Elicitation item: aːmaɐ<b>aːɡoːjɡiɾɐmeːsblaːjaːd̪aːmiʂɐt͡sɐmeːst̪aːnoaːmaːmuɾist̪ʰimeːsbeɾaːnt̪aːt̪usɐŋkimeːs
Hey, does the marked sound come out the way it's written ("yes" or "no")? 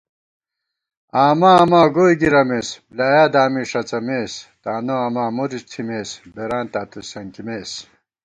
no